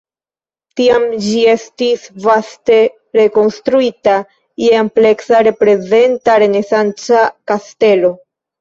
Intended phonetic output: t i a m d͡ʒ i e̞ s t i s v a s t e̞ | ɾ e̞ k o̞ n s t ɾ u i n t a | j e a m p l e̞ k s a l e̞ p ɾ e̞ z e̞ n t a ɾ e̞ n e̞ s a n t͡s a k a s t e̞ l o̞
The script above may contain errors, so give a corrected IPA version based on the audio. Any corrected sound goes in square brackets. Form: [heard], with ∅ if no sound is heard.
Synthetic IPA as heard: t i a m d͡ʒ i e̞ s t i s v a s t e̞ | ɾ e̞ k o̞ n s t ɾ u i [∅] t a | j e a m p l e̞ k s a [ɾ] e̞ p ɾ e̞ z e̞ n t a ɾ e̞ n e̞ s a n t͡s a k a s t e̞ l o̞